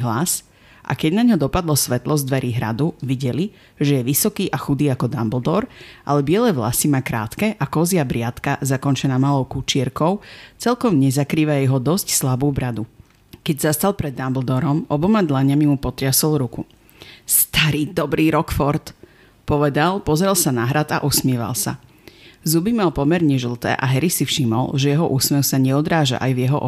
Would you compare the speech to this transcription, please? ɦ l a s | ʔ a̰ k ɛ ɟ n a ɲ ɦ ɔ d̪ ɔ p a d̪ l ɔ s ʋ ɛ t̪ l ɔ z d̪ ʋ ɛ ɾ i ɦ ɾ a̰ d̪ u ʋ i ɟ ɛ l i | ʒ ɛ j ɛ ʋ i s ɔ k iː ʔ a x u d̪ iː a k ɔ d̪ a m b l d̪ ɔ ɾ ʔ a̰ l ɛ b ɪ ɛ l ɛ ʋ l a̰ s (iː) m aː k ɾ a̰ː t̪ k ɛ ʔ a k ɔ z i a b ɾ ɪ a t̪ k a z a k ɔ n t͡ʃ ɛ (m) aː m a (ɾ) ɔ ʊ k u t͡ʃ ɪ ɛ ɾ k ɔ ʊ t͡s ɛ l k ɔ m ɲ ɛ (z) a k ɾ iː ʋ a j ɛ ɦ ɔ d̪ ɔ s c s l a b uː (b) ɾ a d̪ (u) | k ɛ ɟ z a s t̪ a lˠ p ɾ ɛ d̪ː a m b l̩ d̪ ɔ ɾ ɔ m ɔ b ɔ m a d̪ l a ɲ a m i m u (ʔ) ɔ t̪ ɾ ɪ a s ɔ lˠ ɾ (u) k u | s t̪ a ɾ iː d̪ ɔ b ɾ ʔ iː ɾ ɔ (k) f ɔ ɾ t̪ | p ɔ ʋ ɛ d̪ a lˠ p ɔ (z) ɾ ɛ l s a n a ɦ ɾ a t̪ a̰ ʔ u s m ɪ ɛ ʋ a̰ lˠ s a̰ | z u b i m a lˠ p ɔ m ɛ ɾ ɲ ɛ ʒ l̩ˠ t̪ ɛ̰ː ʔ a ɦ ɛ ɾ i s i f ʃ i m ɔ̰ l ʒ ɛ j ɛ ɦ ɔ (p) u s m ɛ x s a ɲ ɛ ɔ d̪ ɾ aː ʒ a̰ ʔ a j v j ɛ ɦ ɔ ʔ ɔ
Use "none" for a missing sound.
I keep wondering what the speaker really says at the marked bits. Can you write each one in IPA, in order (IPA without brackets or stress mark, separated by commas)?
i, n, l, z, b, u, p, u, k, z, ʔ